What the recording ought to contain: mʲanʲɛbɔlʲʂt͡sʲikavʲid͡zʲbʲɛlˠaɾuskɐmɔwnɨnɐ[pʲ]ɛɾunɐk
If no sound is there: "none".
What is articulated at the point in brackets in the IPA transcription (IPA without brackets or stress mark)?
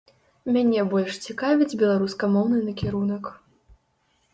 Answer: kʲ